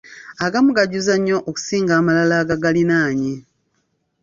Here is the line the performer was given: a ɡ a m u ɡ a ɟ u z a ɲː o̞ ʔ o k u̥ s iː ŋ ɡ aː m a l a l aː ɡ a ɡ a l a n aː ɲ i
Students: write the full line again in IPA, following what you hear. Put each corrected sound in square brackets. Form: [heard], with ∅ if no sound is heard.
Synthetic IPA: a ɡ a m u ɡ a ɟ u z a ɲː o̞ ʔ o k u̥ s iː ŋ ɡ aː m a l a l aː ɡ a ɡ a l [i] n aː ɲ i